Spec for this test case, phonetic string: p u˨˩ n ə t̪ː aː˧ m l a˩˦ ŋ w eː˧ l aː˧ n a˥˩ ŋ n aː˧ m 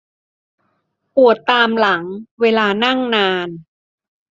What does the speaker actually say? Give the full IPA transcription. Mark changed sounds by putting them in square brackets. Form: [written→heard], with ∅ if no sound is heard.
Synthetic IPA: p u˨˩ [n→∅] ə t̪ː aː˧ m l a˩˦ ŋ w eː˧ l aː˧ n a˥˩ ŋ n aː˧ [m→n]